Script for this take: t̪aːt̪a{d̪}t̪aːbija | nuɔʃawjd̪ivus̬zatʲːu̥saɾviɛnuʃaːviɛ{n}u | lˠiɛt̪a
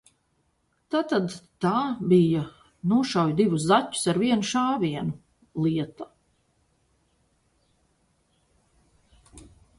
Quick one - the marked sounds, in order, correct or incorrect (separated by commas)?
correct, correct